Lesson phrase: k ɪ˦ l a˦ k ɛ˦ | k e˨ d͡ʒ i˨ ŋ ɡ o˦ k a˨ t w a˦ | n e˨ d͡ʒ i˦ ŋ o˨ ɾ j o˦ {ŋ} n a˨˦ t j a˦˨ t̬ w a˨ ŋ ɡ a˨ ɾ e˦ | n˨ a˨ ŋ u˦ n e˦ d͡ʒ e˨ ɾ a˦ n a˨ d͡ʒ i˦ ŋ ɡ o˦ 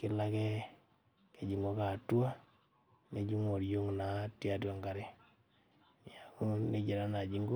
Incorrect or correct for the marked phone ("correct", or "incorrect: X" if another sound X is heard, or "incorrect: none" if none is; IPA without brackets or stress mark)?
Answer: correct